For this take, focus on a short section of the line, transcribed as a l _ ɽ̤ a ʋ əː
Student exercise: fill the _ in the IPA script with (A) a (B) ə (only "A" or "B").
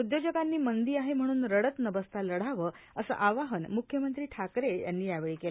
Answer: B